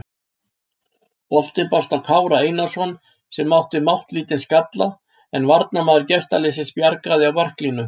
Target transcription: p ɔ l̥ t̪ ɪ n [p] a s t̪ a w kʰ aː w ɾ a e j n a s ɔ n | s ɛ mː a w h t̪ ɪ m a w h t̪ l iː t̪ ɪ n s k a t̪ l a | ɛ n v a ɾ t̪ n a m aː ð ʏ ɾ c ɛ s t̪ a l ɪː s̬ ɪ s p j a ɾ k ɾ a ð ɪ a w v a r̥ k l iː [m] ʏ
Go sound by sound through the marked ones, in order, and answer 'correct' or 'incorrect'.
correct, incorrect: n

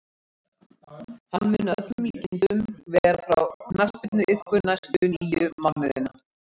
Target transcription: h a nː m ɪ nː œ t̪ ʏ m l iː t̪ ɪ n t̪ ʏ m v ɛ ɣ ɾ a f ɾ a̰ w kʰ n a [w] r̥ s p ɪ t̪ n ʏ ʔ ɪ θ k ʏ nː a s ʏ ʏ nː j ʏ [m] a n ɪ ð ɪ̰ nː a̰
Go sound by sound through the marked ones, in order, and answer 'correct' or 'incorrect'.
incorrect: none, correct

